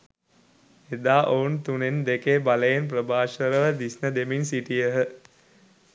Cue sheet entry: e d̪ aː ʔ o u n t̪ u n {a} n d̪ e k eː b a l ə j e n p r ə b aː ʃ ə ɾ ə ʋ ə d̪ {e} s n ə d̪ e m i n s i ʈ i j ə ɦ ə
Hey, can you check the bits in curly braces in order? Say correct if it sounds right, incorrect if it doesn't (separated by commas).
incorrect, incorrect